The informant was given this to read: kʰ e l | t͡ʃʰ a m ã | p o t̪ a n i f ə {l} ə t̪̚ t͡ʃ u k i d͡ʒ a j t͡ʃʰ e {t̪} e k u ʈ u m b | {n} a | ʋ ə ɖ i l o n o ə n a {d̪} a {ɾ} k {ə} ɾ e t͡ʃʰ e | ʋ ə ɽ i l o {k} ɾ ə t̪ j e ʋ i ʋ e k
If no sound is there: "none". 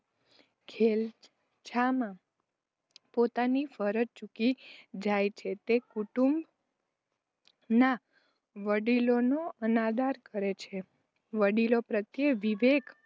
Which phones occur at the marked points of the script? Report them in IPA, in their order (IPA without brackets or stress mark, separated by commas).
ɾ, t̪, n, d̪, ɾ, ə, p